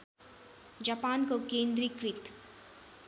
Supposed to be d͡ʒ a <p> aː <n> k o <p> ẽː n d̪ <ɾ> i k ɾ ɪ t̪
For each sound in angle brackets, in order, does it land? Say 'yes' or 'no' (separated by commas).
yes, yes, no, yes